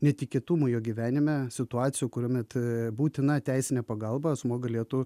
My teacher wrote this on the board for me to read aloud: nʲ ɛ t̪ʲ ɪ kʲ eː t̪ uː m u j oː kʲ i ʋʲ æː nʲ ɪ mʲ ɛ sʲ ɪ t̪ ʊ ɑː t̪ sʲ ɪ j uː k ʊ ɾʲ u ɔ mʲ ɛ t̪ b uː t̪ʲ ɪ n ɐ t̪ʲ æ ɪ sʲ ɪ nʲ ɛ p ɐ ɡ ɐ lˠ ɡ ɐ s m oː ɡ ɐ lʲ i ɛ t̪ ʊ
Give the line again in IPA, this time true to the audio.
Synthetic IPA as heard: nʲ ɛ t̪ʲ ɪ kʲ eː t̪ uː m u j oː ɡʲ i ʋʲ æː nʲ ɪ mʲ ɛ sʲ ɪ t̪ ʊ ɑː t̪ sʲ ɪ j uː k ʊ ɾʲ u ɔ mʲ ɛ t̪ b uː t̪ʲ ɪ n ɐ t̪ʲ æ ɪ sʲ ɪ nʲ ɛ p ɐ ɡ ɐ lˠ b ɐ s m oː ɡ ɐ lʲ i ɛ t̪ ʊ